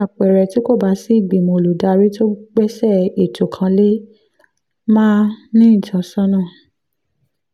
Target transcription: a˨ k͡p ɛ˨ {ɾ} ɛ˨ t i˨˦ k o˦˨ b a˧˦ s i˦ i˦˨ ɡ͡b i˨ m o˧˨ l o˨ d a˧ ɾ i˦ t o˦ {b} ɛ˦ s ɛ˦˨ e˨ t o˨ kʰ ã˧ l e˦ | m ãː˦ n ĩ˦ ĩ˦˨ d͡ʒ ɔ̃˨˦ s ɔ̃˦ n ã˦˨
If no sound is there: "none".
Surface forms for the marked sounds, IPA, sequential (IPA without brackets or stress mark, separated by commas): ɾ, ɡ͡b